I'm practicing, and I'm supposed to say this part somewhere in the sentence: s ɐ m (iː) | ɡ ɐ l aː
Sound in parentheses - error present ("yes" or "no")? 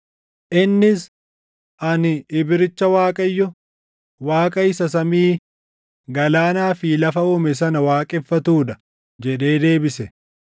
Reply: no